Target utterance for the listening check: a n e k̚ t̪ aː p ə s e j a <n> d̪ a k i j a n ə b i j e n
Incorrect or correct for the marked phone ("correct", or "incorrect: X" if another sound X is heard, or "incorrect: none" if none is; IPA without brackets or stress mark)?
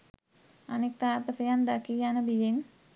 correct